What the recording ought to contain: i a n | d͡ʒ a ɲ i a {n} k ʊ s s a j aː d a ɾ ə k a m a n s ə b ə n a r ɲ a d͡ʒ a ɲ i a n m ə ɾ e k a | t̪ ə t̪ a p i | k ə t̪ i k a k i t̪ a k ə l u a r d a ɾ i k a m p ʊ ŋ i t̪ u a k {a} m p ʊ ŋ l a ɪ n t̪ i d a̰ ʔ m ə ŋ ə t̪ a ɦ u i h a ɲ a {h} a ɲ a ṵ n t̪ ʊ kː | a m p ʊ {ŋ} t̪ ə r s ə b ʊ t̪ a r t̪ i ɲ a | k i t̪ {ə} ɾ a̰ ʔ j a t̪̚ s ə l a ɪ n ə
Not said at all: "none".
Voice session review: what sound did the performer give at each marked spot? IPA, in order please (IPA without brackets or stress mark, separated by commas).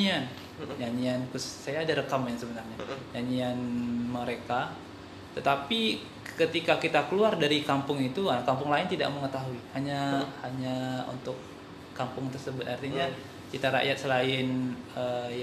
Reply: n, a, h, ŋ, a